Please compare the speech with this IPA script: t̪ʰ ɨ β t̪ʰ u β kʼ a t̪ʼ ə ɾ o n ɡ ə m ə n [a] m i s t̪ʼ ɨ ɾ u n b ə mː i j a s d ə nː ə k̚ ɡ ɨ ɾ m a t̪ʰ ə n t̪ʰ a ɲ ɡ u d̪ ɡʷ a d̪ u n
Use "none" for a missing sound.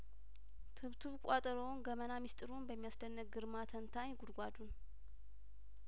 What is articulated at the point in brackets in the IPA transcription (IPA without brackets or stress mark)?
a